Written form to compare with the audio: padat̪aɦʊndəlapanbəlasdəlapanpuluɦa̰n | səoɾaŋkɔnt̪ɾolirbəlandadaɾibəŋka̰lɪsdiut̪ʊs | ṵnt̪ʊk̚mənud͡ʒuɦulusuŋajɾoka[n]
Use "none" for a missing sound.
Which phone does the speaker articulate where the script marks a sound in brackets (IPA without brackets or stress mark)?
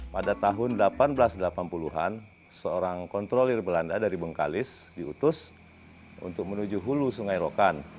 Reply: n